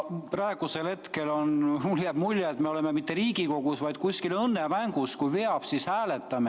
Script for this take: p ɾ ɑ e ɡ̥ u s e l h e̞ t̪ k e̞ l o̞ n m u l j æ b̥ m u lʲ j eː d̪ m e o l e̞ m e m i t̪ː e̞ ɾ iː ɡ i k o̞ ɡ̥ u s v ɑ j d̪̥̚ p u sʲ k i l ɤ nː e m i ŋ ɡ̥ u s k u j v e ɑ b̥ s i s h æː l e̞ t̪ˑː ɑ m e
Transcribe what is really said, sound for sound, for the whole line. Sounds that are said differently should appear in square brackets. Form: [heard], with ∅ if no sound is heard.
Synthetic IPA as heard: p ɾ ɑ e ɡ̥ u s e l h e̞ t̪ k e̞ l o̞ n m u l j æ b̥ m u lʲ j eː [t̪] m e o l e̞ m e m i t̪ː e̞ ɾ iː ɡ i k o̞ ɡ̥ u s v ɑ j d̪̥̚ [k] u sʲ k i l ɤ nː e m [æ] ŋ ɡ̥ u s k u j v e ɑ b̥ s i s h æː l e̞ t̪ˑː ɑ m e